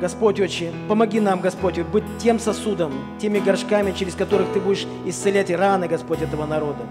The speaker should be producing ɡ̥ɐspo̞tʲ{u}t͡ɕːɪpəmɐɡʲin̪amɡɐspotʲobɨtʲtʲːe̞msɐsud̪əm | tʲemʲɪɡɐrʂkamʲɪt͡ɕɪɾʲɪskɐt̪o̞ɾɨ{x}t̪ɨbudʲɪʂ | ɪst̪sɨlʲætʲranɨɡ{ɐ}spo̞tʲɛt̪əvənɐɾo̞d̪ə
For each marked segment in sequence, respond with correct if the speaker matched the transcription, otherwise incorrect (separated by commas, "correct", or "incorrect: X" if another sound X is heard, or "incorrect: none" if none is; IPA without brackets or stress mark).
incorrect: o, correct, correct